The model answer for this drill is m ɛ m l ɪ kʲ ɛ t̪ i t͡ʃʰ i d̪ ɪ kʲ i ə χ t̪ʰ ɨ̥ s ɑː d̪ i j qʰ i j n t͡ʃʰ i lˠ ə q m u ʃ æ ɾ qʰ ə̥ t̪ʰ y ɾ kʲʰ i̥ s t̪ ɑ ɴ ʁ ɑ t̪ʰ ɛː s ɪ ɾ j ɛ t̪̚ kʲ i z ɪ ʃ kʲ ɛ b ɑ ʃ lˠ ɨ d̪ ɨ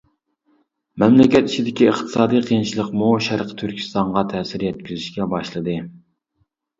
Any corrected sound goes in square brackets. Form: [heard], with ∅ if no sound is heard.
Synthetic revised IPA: m ɛ m l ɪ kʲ ɛ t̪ i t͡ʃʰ i d̪ ɪ kʲ i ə χ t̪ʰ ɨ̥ s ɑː d̪ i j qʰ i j n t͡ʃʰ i lˠ ə q m u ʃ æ ɾ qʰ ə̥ t̪ʰ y ɾ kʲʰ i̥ s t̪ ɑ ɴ ʁ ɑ t̪ʰ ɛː s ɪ ɾ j ɛ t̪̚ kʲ i z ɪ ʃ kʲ ɛ b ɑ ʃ lˠ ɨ d̪ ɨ